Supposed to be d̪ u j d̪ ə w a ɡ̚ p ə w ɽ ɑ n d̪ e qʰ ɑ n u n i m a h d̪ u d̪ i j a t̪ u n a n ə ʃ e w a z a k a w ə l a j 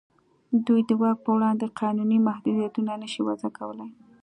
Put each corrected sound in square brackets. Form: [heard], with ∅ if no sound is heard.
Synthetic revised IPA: d̪ u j d̪ ə w [ɑ] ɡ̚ p ə w ɽ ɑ n d̪ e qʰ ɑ n u n i m a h d̪ u d̪ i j a t̪ u n a n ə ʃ [i] w a z a k a w ə l a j